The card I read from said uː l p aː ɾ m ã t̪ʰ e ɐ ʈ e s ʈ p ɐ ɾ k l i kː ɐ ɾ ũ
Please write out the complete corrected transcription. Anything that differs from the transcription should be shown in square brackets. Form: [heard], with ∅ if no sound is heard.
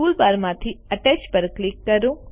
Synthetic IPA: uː l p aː ɾ m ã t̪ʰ [i] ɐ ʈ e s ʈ p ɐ ɾ k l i kː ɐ ɾ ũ